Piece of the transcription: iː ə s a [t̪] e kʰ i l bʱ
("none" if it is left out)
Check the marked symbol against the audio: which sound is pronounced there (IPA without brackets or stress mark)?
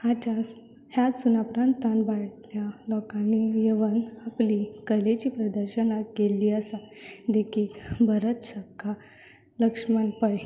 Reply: d̪